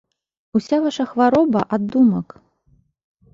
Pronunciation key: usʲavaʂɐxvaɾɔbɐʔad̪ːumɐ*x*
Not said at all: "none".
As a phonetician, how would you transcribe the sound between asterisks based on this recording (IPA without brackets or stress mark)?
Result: k